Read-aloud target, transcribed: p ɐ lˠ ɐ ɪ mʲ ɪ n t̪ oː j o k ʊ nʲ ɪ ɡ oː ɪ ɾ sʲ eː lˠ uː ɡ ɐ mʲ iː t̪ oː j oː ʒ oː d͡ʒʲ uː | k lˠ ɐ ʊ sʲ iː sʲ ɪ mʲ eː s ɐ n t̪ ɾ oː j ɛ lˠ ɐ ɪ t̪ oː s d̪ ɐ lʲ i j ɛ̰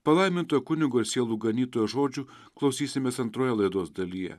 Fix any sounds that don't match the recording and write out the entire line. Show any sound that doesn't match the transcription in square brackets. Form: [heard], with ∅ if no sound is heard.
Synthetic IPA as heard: p ɐ lˠ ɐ ɪ mʲ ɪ n t̪ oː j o k ʊ nʲ ɪ ɡ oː ɪ ɾ sʲ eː lˠ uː ɡ ɐ [nʲ] iː t̪ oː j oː ʒ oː d͡ʒʲ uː | k lˠ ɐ ʊ sʲ iː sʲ ɪ mʲ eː s ɐ n t̪ ɾ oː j ɛ lˠ ɐ ɪ [d̪] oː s d̪ ɐ lʲ i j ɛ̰